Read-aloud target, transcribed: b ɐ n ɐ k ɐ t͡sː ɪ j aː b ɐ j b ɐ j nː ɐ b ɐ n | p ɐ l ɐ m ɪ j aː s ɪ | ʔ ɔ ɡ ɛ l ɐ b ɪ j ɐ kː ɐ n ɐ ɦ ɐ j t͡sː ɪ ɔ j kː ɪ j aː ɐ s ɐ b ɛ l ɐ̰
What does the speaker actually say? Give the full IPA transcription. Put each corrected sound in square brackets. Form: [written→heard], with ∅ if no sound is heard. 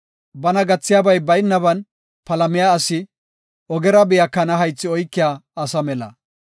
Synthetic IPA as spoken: b ɐ n ɐ [k→ɡ] ɐ t͡sː ɪ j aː b ɐ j b ɐ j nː ɐ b ɐ n | p ɐ l ɐ m ɪ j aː s ɪ | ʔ ɔ ɡ ɛ [l→ɾ] ɐ b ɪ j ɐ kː ɐ n ɐ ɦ ɐ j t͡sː ɪ ɔ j kː ɪ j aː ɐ s ɐ [b→m] ɛ l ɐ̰

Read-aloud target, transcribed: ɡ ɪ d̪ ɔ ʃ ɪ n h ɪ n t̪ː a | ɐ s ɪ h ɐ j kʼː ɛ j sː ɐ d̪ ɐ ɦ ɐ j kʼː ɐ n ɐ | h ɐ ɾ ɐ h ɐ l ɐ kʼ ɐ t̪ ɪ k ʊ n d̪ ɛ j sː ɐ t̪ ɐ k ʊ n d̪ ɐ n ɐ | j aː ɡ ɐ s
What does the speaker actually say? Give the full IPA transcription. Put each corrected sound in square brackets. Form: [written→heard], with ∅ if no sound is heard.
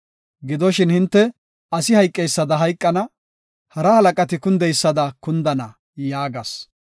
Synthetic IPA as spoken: ɡ ɪ d̪ ɔ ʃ ɪ n h ɪ n t̪ː [a→ɛ] | ɐ s ɪ h ɐ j kʼː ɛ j sː ɐ d̪ ɐ ɦ ɐ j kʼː ɐ n ɐ | h ɐ ɾ ɐ h ɐ l ɐ kʼ ɐ t̪ ɪ k ʊ n d̪ ɛ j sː ɐ [t̪→d̪] ɐ k ʊ n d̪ ɐ n ɐ | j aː ɡ ɐ s

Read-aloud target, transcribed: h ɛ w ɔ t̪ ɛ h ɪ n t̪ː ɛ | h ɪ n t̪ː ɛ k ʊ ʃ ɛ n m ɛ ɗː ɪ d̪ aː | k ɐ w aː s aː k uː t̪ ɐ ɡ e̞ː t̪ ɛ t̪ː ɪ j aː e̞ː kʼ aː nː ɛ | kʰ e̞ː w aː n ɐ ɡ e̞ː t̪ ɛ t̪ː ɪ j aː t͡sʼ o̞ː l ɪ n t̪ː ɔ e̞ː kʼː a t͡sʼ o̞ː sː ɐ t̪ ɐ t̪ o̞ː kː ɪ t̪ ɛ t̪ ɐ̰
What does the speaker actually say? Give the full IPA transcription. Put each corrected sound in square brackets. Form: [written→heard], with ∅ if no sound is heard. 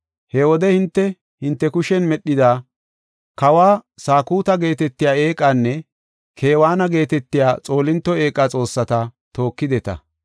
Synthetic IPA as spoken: h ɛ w ɔ [t̪→d̪] ɛ h ɪ n t̪ː ɛ | h ɪ n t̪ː ɛ k ʊ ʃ ɛ n m ɛ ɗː ɪ d̪ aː | k ɐ w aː s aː k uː t̪ ɐ ɡ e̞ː t̪ ɛ t̪ː ɪ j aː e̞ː kʼ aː nː ɛ | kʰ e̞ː w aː n ɐ ɡ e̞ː t̪ ɛ t̪ː ɪ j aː t͡sʼ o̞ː l ɪ n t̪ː ɔ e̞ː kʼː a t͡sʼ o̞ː sː ɐ t̪ ɐ t̪ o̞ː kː ɪ [t̪→d̪] ɛ t̪ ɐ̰

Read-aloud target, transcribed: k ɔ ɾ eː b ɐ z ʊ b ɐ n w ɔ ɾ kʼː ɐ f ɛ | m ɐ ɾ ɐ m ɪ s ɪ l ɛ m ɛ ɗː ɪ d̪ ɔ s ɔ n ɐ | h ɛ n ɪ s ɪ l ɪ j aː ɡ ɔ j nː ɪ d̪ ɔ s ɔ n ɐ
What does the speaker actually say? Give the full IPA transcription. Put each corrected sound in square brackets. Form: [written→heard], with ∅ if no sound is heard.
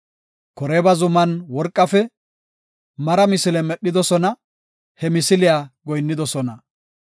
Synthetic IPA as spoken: k ɔ ɾ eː b ɐ z ʊ [b→m] ɐ n w ɔ ɾ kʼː ɐ f ɛ | m ɐ ɾ ɐ m ɪ s ɪ l ɛ m ɛ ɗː ɪ d̪ ɔ s ɔ n ɐ | h ɛ [n→m] ɪ s ɪ l ɪ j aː ɡ ɔ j nː ɪ d̪ ɔ s ɔ n ɐ

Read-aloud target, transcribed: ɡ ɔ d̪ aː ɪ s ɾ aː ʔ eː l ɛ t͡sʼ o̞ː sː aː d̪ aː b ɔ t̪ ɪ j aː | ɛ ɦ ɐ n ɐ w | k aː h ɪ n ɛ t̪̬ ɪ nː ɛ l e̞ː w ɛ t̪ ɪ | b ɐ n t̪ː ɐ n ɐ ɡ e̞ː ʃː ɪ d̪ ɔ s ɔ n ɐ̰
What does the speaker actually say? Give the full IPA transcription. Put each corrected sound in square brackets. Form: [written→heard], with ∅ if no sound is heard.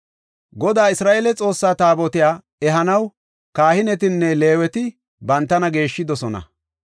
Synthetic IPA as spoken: ɡ ɔ d̪ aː ɪ s ɾ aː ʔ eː l ɛ t͡sʼ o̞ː sː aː [d̪→t̪] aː b ɔ t̪ ɪ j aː | ɛ ɦ ɐ n ɐ w | k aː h ɪ n ɛ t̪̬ ɪ nː ɛ l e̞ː w ɛ t̪ ɪ | b ɐ n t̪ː ɐ n ɐ ɡ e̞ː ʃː ɪ d̪ ɔ s ɔ n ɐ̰

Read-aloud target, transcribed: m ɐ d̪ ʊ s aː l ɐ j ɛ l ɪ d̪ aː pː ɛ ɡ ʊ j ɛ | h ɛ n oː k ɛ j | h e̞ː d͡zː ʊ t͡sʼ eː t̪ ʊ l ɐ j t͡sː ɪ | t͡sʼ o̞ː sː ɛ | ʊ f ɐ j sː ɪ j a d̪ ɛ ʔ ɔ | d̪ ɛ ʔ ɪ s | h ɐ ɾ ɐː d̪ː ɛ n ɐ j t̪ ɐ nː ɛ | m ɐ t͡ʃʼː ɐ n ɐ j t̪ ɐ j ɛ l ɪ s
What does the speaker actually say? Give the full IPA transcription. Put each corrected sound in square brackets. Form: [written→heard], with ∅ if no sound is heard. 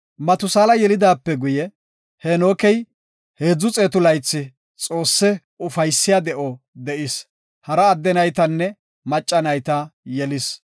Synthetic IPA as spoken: m ɐ [d̪→t̪] ʊ s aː l ɐ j ɛ l ɪ d̪ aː pː ɛ ɡ ʊ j ɛ | h ɛ n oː k ɛ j | h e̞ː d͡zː ʊ t͡sʼ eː t̪ ʊ l ɐ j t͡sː ɪ | t͡sʼ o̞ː sː ɛ | ʊ f ɐ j sː ɪ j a d̪ ɛ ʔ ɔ | d̪ ɛ ʔ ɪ s | h ɐ ɾ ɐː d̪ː ɛ n ɐ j t̪ ɐ nː ɛ | m ɐ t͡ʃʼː ɐ n ɐ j t̪ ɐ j ɛ l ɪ s

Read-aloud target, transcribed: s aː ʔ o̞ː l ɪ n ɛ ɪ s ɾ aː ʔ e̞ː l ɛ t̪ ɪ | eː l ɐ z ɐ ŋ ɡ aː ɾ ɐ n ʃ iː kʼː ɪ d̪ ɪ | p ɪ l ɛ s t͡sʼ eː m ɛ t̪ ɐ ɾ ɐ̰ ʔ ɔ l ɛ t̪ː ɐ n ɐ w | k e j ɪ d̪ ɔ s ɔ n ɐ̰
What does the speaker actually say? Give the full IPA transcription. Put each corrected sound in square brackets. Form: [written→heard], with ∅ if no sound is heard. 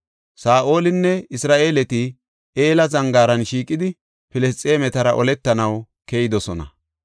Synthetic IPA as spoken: s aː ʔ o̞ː l ɪ [n→nː] ɛ ɪ s ɾ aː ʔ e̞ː l ɛ t̪ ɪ | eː l ɐ z ɐ ŋ ɡ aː ɾ ɐ n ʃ iː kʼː ɪ d̪ ɪ | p ɪ l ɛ s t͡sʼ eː m ɛ t̪ ɐ ɾ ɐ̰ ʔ ɔ l ɛ t̪ː ɐ n ɐ w | k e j ɪ d̪ ɔ s ɔ n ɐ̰

